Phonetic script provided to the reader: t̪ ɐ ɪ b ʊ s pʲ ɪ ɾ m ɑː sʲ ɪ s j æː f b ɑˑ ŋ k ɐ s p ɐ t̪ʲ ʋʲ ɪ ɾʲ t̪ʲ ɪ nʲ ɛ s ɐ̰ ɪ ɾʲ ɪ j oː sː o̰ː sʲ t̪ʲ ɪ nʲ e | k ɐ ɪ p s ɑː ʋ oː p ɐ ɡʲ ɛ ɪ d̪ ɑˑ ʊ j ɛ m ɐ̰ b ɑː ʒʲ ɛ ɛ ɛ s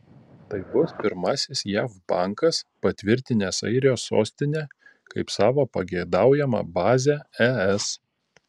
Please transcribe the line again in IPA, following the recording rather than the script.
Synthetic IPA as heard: t̪ ɐ ɪ b ʊ s pʲ ɪ ɾ m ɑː sʲ ɪ s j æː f b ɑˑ ŋ k ɐ s p ɐ t̪ʲ ʋʲ ɪ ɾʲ t̪ʲ ɪ nʲ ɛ s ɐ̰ ɪ ɾʲ ɪ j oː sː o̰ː sʲ t̪ʲ ɪ nʲ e | k ɐ ɪ p s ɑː ʋ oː p ɐ ɡʲ ɛ ɪ d̪ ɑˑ ʊ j ɛ m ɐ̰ b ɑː zʲ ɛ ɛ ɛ s